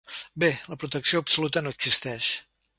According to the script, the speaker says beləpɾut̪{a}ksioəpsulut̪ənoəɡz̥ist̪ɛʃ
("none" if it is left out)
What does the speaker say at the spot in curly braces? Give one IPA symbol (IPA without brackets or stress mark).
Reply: ə